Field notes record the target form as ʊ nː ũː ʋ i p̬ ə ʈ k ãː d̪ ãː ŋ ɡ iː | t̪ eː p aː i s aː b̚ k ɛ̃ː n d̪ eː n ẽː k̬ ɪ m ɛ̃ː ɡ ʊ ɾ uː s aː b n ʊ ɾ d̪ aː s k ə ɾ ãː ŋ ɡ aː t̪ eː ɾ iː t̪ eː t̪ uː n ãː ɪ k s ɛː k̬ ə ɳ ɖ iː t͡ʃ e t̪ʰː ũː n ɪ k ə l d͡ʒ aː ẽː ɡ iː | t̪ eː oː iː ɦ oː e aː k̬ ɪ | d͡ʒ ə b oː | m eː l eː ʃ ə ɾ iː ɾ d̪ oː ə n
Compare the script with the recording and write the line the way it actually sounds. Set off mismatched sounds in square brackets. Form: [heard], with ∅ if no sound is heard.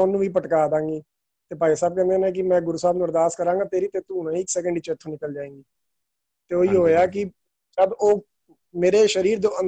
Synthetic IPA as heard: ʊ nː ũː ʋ [iː] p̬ ə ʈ k [aː] d̪ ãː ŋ ɡ iː | t̪ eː p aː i s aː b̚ k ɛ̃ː n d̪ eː n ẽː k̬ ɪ m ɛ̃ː ɡ ʊ ɾ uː s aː b n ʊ ɾ d̪ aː s k ə ɾ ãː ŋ ɡ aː t̪ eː ɾ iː t̪ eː t̪ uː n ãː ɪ k s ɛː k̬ ə ɳ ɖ iː t͡ʃ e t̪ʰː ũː n ɪ k ə l d͡ʒ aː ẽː ɡ iː | t̪ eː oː iː ɦ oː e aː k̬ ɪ | d͡ʒ ə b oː | m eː [ɾ] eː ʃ ə ɾ iː ɾ d̪ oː ə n